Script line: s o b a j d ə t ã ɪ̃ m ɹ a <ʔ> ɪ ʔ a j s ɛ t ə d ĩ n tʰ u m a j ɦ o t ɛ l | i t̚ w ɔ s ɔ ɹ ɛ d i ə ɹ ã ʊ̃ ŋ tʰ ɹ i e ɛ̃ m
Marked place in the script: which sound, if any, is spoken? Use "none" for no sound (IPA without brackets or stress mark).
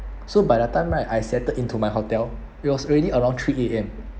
none